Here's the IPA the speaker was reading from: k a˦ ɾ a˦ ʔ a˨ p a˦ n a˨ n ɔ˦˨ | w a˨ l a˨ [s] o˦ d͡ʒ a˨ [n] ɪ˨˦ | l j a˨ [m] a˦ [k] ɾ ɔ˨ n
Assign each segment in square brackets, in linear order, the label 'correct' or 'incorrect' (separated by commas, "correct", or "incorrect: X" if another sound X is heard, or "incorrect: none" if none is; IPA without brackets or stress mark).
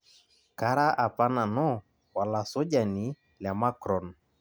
correct, correct, correct, correct